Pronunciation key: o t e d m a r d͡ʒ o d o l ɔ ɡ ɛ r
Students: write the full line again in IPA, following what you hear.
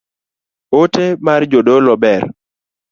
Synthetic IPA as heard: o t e m a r d͡ʒ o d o l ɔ b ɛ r